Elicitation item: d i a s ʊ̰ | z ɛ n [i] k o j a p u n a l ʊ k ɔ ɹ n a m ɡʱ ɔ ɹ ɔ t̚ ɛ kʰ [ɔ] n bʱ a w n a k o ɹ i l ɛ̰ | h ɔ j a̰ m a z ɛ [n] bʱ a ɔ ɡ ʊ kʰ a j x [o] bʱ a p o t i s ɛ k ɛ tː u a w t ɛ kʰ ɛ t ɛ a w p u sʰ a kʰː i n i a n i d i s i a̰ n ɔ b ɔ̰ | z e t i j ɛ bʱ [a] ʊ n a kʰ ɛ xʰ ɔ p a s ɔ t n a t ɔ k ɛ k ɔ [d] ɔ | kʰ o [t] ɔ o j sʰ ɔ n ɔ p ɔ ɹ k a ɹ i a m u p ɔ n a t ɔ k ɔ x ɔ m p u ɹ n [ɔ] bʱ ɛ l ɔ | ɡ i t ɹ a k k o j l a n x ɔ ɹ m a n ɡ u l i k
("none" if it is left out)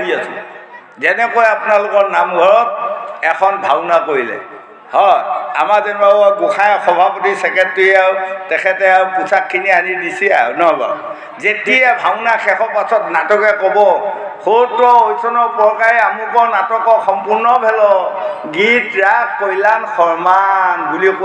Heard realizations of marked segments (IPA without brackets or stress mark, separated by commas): ɛ, ɔ, n, ɔ, a, b, t, ɔ